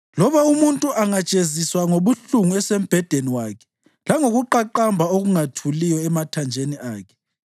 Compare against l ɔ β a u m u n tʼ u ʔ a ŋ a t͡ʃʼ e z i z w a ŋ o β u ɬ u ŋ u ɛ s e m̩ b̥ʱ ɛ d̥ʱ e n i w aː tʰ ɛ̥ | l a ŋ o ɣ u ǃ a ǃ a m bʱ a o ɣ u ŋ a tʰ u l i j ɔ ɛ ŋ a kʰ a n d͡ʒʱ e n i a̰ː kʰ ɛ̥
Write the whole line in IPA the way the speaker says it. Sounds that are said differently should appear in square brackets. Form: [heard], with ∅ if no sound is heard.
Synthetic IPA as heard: l ɔ β a u m u n tʼ u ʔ a ŋ a t͡ʃʼ e z i [s] w a ŋ o β u ɬ u ŋ u ɛ s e m̩ b̥ʱ ɛ d̥ʱ e n i w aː [kʰ] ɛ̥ | l a ŋ o ɣ u ǃ a ǃ a m bʱ a o ɣ u ŋ a tʰ u l i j ɔ ɛ [m] a [tʰ] a n d͡ʒʱ e n i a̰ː kʰ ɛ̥